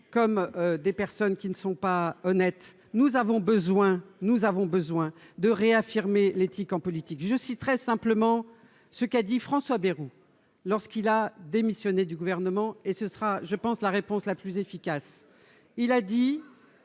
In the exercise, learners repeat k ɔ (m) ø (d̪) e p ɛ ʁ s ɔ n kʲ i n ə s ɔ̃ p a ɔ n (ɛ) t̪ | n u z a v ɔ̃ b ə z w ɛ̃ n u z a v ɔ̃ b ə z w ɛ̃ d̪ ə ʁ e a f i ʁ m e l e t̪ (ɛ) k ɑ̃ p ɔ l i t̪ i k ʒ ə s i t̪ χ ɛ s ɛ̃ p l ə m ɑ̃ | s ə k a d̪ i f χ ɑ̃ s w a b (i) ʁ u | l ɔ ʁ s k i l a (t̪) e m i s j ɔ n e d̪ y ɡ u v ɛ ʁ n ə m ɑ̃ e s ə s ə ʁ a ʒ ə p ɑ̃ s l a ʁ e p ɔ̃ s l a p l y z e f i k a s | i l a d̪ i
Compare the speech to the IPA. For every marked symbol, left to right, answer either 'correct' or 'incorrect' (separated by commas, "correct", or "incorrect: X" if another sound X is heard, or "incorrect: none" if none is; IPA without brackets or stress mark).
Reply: correct, correct, correct, incorrect: i, incorrect: e, incorrect: d̪